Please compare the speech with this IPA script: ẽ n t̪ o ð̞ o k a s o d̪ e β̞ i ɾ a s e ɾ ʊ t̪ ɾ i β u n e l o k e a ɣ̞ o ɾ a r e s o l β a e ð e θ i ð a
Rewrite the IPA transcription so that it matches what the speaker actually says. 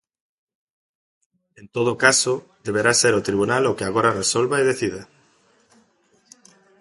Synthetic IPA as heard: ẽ n t̪ o ð̞ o k a s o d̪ e β̞ e ɾ a s e ɾ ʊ t̪ ɾ i β u n a l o k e a ɣ̞ o ɾ a r e s o l β a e ð e θ i ð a